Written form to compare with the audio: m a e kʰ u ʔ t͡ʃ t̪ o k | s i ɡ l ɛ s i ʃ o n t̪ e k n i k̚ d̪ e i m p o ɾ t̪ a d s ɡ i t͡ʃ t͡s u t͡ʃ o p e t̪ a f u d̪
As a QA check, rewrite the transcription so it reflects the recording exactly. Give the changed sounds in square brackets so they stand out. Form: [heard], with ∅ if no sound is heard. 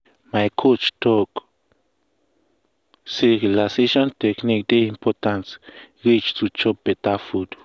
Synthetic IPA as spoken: m a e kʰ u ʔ t͡ʃ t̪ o k | s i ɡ l [a] s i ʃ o n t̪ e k n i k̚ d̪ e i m p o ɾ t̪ a [n] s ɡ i t͡ʃ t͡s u t͡ʃ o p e t̪ a f u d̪